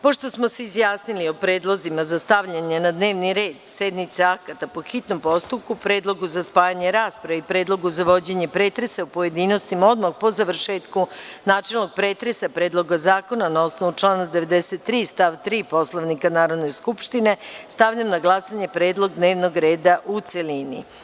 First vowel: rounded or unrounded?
rounded